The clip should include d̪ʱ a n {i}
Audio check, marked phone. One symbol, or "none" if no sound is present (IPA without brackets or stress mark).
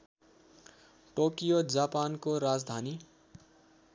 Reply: i